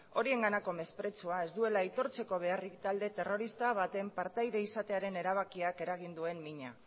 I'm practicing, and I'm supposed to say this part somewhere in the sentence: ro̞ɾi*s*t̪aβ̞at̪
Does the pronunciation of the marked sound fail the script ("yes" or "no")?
no